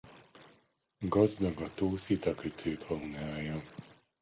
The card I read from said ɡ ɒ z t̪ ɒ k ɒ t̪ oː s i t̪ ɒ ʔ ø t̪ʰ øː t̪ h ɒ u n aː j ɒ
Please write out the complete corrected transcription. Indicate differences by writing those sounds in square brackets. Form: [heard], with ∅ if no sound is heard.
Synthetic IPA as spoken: ɡ ɒ z [d̪] ɒ [ɡ] ɒ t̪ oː s i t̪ ɒ [k] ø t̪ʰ øː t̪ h ɒ u n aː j ɒ